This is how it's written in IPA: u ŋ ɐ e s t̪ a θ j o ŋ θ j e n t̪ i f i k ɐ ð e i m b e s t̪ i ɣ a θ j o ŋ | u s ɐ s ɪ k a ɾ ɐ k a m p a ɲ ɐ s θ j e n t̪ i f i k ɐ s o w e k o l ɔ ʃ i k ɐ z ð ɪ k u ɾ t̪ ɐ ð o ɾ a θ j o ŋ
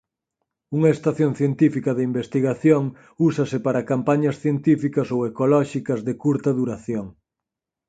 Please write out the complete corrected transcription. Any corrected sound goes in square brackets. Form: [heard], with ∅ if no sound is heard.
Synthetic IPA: u ŋ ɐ e s t̪ a θ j o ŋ θ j e n t̪ i f i k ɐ ð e i m b e s t̪ i ɣ a θ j o ŋ | u s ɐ s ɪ [p] a ɾ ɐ k a m p a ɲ ɐ s θ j e n t̪ i f i k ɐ s o w e k o l ɔ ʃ i k ɐ z ð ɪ k u ɾ t̪ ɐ ð [u] ɾ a θ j o ŋ